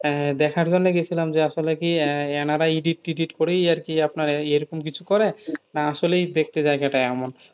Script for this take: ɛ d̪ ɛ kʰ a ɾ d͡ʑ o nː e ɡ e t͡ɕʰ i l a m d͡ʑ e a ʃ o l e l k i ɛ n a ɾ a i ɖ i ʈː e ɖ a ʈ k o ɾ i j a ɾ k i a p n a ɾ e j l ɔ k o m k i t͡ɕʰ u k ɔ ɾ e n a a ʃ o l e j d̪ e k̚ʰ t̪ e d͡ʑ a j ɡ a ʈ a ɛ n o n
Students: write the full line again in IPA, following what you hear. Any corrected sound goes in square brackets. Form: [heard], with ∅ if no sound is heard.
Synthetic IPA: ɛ d̪ ɛ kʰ a ɾ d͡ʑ o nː e ɡ e t͡ɕʰ i l a m d͡ʑ e a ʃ o l e [∅] k i ɛ n a ɾ a i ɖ i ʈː [i] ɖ [i] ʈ k o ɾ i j a ɾ k i a p n a ɾ e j [ɾ] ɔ k o m k i t͡ɕʰ u k ɔ ɾ e n a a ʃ o l e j d̪ e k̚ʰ t̪ e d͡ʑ a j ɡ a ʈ a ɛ [m] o n